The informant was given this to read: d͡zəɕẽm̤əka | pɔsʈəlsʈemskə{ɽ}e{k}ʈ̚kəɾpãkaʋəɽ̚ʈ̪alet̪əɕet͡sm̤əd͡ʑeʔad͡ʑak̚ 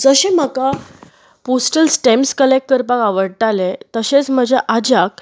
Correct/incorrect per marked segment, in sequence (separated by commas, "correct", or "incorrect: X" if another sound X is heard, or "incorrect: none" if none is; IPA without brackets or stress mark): incorrect: l, correct